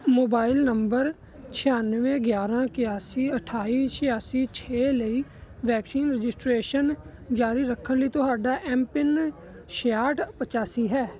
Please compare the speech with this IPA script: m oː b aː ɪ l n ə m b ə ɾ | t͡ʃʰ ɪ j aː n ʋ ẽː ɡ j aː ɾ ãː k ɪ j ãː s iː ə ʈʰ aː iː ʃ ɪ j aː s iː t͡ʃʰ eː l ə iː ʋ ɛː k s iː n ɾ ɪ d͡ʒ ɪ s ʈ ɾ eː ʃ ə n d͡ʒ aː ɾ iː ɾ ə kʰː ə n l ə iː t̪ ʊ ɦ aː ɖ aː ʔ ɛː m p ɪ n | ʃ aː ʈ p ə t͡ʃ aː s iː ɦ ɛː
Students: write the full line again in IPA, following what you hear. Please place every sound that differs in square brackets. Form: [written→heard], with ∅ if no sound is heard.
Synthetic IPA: m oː b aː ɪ l n ə m b ə ɾ | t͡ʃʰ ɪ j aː n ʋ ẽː ɡ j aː ɾ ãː k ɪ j [ãː→aː] s iː ə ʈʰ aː iː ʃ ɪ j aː s iː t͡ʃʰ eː l ə iː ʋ ɛː k s iː n ɾ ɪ d͡ʒ ɪ s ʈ ɾ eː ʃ ə n d͡ʒ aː ɾ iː ɾ ə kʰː ə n l ə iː t̪ ʊ ɦ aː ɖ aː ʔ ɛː m p ɪ n | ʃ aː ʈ p ə t͡ʃ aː s iː ɦ ɛː